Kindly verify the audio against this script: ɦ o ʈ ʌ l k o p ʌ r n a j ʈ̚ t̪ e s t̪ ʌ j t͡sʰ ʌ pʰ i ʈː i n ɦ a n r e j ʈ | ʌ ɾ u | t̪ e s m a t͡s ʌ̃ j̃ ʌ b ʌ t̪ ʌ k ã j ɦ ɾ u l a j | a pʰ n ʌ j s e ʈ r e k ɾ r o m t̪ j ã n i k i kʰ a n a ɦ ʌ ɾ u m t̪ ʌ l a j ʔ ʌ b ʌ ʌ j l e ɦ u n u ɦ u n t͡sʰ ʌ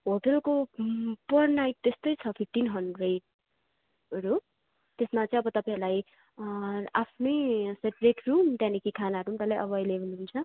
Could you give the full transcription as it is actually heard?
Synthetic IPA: ɦ o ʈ ʌ l k o p ʌ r n a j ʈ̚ t̪ e s t̪ ʌ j t͡sʰ ʌ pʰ i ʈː i n ɦ ʌ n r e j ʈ | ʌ ɾ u | t̪ e s m a t͡s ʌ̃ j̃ ʌ b ʌ t̪ ʌ p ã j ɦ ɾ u l a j | a pʰ n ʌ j s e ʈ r e k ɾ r u m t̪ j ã n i k i kʰ a n a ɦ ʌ ɾ u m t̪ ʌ l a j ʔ ʌ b ʌ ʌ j l e ɦ u n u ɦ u n t͡sʰ ʌ